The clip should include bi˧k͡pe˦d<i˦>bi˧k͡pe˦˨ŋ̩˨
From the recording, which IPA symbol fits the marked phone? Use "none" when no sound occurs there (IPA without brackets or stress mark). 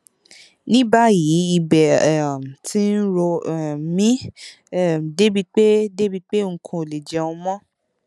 e˦